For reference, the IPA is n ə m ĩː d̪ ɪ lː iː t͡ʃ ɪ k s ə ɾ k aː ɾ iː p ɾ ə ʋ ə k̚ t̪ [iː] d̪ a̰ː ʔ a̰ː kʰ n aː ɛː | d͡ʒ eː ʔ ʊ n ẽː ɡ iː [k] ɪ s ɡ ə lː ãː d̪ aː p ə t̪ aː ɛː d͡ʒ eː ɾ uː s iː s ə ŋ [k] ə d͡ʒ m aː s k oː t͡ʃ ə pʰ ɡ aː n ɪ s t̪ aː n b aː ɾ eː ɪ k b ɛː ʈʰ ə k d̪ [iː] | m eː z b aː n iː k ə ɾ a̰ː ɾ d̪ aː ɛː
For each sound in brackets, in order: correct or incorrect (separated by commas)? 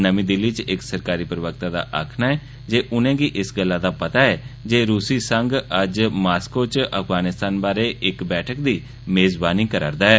incorrect, incorrect, incorrect, correct